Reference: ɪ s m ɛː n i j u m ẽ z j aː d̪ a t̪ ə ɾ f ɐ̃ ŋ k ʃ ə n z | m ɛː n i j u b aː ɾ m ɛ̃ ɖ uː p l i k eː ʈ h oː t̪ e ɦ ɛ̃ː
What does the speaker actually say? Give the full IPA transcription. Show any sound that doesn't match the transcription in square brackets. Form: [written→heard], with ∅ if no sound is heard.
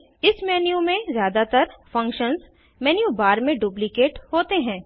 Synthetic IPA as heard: ɪ s m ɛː n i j u m ẽ z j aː d̪ a t̪ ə ɾ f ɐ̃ ŋ k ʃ ə n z | m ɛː n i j u b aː ɾ m [ɛ̃→ẽ] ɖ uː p l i k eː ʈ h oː t̪ e ɦ ɛ̃ː